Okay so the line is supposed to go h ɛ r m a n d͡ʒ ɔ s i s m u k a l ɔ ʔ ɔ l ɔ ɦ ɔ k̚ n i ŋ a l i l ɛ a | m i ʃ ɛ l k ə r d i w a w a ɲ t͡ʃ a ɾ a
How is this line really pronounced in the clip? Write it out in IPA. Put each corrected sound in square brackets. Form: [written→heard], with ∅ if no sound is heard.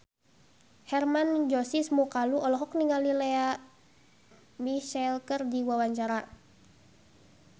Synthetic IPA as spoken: h ɛ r m a n d͡ʒ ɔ s i s m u k a l [ɔ→u] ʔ ɔ l ɔ ɦ ɔ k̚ n i ŋ a l i l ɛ a | m i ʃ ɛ l k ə r d i w a w a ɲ t͡ʃ a ɾ a